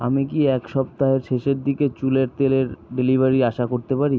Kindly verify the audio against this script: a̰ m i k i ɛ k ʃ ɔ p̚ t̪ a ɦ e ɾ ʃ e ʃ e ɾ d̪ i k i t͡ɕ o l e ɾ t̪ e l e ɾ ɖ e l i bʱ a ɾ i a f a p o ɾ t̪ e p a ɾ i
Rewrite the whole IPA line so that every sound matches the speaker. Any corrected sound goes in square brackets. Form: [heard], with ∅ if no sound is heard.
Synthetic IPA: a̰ m i k i ɛ k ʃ ɔ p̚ t̪ a ɦ e ɾ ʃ e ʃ e ɾ d̪ i k [e] t͡ɕ [u] l e ɾ t̪ e l e ɾ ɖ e l i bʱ a ɾ i a [ʃ] a [k] o ɾ t̪ e p a ɾ i

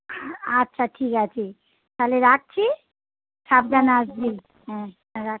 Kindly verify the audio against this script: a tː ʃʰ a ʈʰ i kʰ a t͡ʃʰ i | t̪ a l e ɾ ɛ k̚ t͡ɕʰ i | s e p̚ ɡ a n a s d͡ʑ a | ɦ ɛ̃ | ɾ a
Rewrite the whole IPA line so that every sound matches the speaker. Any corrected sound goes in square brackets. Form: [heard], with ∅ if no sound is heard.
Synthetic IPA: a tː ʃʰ a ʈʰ i [k] a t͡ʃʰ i | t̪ a l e ɾ [a] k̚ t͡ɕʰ i | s [a] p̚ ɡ a n a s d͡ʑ [i] | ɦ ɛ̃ | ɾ a

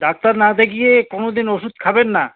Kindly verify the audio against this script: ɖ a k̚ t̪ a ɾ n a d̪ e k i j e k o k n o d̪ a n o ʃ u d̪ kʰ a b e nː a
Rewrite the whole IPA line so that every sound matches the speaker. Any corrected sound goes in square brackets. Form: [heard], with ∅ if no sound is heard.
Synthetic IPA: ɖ a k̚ t̪ a ɾ n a d̪ e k i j e k o [∅] n o d̪ [i] n o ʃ u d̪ kʰ a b e nː a

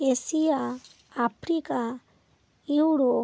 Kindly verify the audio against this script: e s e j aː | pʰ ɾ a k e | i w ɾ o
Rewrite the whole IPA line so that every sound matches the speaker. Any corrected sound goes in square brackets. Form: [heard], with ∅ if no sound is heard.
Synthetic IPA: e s [i] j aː | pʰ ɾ [i] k [a] | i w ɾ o

